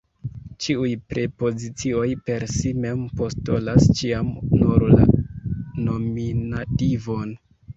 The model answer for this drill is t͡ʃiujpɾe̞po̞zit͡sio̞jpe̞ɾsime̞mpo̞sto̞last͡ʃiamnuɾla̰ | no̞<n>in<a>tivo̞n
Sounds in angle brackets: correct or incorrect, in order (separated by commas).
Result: incorrect, correct